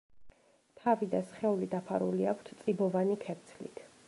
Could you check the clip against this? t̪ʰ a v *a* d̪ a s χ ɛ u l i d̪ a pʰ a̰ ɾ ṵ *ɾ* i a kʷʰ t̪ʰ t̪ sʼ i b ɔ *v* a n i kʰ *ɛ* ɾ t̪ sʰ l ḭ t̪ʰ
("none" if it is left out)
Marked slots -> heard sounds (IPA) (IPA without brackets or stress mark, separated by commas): i, l, v, ɛ